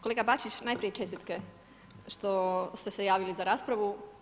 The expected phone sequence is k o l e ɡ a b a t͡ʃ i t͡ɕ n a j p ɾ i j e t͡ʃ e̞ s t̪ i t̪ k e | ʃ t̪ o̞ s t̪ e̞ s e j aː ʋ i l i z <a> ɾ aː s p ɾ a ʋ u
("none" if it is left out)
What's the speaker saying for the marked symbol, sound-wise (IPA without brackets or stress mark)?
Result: a